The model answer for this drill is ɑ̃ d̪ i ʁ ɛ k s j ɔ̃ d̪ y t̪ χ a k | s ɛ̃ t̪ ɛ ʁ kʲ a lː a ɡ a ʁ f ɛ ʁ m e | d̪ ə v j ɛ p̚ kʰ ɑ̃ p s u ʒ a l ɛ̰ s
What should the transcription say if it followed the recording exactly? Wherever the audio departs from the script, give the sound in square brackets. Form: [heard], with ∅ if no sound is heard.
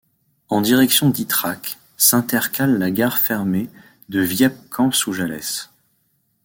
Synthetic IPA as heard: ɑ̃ d̪ i ʁ ɛ k s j ɔ̃ d̪ [i] t̪ χ a k | s ɛ̃ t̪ ɛ ʁ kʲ a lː a ɡ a ʁ f ɛ ʁ m e | d̪ ə v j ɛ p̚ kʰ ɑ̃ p s u ʒ a l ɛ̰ s